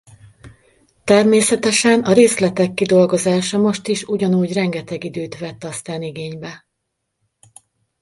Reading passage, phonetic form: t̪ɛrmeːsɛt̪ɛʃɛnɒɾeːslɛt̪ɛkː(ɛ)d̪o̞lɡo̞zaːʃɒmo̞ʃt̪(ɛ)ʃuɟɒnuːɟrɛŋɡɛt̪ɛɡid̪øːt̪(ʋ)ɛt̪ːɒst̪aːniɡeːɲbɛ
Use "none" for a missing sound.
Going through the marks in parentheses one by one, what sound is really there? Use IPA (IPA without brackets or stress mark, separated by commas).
i, i, ʋ